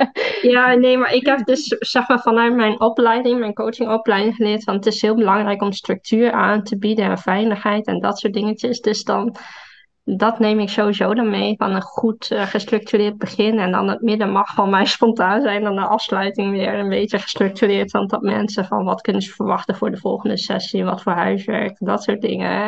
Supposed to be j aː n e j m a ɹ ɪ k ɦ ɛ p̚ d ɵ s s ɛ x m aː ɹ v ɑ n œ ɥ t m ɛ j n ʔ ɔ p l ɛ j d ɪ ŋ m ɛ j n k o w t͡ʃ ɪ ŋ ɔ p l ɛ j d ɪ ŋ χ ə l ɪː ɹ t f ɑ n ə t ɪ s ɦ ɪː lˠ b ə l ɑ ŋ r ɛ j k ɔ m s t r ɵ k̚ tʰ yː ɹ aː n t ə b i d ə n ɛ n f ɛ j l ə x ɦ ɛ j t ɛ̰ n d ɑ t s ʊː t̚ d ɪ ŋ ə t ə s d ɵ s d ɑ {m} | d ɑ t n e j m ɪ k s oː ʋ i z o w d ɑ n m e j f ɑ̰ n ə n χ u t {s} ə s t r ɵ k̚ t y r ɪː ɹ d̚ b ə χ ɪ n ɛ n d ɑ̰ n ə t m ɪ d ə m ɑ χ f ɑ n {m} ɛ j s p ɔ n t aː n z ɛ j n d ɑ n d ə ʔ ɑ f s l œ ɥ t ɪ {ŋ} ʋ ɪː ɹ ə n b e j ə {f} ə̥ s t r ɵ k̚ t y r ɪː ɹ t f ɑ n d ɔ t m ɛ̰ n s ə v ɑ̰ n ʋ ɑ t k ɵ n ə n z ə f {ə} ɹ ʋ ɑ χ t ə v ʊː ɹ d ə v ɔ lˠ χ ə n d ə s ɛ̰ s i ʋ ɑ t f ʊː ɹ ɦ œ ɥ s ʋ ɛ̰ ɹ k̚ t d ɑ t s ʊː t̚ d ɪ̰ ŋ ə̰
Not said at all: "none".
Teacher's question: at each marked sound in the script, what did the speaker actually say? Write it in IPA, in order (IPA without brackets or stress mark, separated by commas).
n, χ, m, ŋ, χ, ə